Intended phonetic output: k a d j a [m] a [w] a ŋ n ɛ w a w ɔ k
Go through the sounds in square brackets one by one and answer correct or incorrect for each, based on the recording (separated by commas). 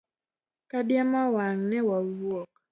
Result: correct, correct